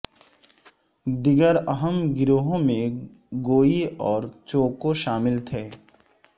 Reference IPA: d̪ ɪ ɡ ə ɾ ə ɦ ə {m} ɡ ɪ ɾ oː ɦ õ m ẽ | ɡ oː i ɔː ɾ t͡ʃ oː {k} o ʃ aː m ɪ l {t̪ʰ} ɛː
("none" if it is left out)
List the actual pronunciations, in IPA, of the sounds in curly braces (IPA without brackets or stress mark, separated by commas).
m, k, t̪ʰ